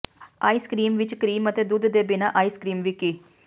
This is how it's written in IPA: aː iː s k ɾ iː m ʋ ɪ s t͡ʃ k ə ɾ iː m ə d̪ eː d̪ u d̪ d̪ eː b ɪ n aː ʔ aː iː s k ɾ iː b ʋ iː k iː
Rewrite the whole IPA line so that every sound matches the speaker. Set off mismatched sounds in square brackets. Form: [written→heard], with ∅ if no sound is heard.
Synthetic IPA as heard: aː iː s k ɾ iː m ʋ ɪ [s→∅] t͡ʃ k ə ɾ iː m ə [d̪→t̪] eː d̪ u d̪ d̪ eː b ɪ n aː ʔ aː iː s k ɾ iː [b→m] ʋ iː k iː